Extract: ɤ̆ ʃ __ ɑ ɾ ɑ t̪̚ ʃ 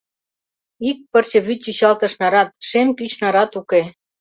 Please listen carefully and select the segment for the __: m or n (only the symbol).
n